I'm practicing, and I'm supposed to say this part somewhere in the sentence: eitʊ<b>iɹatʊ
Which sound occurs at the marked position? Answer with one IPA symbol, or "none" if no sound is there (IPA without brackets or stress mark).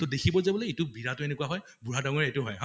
b